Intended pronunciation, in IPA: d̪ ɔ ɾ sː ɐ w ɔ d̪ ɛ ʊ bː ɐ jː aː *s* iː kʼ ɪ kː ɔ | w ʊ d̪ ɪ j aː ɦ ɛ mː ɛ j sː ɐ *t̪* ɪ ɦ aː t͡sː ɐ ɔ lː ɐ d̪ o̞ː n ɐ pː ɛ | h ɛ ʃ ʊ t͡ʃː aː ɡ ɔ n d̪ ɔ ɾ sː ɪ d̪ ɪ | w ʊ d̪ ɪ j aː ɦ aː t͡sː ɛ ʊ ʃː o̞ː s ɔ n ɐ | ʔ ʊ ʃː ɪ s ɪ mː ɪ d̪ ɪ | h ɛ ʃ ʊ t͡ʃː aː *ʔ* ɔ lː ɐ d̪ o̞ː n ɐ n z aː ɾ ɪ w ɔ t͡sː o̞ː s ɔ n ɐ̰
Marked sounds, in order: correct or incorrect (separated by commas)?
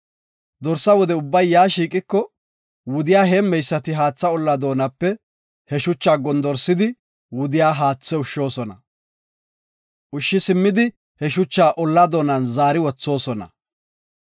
incorrect, correct, correct